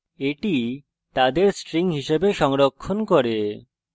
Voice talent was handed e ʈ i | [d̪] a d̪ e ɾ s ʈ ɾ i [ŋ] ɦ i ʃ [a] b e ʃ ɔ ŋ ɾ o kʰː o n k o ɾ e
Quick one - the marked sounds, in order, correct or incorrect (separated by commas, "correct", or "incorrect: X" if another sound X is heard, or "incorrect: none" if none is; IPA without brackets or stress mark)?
incorrect: t̪, correct, incorrect: e